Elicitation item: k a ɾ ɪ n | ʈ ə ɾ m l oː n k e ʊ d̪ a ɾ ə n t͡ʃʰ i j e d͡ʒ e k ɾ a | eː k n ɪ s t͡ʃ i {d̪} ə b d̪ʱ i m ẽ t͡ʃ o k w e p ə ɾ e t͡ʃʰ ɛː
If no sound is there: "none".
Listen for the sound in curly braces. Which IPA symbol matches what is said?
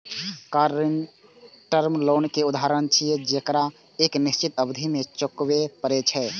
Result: t̪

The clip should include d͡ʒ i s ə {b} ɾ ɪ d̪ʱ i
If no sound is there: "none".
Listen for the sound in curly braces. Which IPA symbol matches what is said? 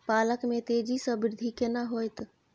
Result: b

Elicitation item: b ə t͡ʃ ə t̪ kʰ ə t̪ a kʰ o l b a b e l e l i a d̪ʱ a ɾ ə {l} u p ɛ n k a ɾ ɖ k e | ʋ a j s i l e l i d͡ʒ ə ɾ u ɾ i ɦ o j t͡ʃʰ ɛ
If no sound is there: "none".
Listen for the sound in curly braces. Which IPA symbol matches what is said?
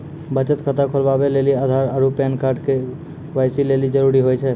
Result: ɾ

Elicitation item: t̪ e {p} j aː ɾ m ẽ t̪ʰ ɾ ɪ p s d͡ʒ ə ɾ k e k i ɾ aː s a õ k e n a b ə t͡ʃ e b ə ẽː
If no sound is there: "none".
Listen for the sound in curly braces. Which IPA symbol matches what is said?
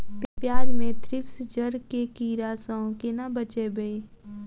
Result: p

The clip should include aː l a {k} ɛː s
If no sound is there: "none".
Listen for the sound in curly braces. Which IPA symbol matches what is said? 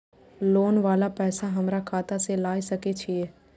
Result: p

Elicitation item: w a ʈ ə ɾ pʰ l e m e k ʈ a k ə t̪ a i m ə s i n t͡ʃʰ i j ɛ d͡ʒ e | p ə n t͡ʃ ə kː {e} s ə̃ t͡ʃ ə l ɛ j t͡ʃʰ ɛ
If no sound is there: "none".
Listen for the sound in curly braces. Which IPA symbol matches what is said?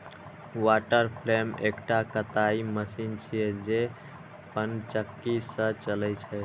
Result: i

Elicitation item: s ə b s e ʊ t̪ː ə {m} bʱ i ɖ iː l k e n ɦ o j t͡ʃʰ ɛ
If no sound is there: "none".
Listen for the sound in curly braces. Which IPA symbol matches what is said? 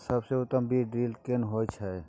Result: m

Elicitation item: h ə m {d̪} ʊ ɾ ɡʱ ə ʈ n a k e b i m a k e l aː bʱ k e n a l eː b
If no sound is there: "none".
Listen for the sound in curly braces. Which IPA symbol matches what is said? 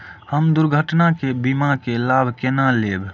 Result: d̪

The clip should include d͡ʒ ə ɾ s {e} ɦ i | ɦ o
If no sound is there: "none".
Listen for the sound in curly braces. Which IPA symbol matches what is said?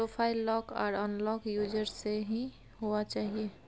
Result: e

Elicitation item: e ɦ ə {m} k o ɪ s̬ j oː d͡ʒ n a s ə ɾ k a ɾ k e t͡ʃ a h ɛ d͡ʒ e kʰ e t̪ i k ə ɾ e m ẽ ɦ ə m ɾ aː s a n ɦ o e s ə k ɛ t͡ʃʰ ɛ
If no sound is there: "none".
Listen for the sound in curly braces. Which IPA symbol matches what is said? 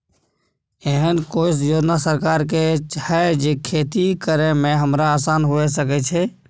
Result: n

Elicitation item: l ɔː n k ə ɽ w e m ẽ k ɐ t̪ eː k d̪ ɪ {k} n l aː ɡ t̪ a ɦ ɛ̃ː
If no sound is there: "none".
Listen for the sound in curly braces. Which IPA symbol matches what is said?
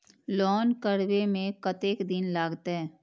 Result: none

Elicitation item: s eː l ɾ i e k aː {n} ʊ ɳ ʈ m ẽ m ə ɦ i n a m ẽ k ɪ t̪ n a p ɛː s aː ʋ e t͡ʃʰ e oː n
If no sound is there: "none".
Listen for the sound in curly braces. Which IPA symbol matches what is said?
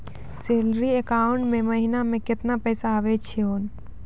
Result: none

